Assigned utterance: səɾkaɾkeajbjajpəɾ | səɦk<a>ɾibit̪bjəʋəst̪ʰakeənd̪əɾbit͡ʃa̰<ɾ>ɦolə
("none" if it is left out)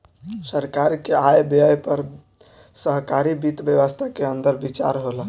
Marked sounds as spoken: a, ɾ

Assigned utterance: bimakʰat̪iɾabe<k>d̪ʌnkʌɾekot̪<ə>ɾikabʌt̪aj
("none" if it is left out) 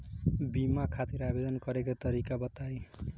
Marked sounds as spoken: none, ʌ

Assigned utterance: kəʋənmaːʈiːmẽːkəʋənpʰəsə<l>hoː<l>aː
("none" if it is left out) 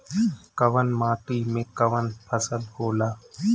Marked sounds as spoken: l, l

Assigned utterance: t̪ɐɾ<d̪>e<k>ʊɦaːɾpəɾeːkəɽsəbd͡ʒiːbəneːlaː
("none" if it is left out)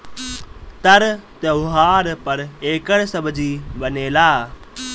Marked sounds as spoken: t̪, none

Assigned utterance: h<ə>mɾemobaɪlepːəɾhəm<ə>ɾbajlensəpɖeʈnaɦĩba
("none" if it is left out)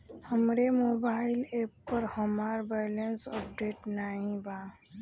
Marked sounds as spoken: ə, a

